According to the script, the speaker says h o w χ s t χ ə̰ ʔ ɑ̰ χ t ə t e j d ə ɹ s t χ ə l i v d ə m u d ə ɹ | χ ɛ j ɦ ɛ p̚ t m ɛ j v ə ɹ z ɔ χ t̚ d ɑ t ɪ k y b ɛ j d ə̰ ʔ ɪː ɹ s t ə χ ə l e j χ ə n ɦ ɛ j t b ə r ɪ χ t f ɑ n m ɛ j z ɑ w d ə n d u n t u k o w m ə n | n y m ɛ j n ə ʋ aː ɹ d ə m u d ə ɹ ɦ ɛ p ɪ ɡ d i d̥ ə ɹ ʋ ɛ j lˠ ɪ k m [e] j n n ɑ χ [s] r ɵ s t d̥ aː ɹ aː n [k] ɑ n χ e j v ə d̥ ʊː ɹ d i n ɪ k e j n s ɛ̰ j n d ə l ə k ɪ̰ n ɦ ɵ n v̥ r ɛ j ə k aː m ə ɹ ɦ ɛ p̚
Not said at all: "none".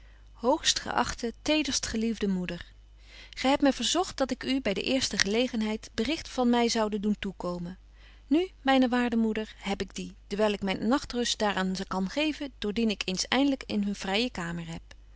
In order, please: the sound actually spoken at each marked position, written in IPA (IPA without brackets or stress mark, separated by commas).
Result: ɛ, t, k